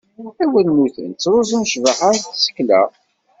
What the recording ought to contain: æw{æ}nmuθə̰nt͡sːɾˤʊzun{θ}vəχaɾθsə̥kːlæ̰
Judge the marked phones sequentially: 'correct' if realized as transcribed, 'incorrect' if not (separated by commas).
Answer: correct, incorrect